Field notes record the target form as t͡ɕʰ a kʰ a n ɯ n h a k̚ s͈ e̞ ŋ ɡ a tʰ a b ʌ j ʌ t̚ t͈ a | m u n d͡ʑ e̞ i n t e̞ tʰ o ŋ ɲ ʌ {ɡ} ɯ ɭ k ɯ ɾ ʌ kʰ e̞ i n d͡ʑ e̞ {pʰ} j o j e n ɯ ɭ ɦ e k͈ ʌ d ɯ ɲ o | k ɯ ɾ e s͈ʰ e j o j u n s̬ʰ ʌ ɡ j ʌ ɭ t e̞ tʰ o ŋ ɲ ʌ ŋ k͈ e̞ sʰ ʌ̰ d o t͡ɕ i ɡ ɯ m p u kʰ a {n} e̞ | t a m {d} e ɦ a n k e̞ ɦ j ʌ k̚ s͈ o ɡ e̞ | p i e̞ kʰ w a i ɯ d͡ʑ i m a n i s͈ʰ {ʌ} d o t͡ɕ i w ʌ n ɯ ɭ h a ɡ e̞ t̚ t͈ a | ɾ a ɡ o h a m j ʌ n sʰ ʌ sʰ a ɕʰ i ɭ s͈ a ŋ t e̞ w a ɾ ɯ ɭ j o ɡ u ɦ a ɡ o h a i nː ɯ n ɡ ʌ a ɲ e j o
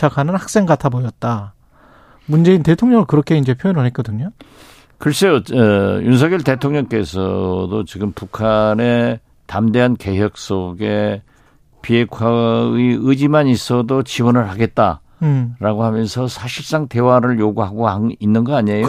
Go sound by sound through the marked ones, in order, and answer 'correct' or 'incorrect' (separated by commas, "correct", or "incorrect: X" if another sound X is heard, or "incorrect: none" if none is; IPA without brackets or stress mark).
incorrect: ŋ, correct, correct, correct, correct